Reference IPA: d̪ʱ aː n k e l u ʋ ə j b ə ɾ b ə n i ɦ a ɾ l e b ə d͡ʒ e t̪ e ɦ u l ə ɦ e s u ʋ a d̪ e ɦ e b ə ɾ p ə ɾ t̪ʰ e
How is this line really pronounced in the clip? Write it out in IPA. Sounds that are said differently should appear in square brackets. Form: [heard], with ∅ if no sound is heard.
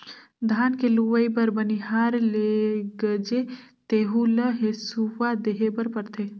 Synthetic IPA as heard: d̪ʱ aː n k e l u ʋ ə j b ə ɾ b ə n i ɦ a ɾ l e [ɡ] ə d͡ʒ e t̪ e ɦ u l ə ɦ e s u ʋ a d̪ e ɦ e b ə ɾ p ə ɾ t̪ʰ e